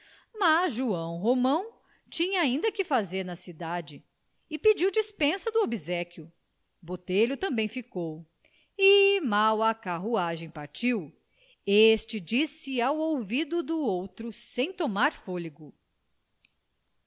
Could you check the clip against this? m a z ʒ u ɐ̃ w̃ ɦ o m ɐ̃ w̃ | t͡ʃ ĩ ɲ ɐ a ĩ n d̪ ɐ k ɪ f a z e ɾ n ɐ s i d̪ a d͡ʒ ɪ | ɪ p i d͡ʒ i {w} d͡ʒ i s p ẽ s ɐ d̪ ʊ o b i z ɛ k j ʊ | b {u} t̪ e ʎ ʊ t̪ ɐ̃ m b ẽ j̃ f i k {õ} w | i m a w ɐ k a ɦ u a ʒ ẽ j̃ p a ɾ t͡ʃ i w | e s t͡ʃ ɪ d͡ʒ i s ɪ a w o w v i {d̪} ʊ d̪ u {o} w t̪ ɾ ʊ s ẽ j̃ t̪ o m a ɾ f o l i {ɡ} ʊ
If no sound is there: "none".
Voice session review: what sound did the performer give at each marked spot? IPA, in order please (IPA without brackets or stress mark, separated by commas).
w, o, o, d̪, o, ɡ